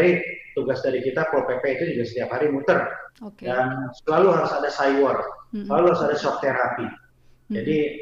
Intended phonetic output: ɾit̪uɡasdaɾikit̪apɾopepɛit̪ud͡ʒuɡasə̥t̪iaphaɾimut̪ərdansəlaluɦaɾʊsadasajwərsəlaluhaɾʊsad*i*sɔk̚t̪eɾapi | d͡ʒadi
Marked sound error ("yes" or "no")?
yes